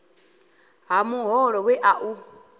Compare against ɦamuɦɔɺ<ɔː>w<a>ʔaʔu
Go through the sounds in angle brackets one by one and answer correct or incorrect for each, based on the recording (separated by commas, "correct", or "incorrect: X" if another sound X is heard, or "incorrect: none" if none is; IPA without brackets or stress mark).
incorrect: ɔ, incorrect: ɛ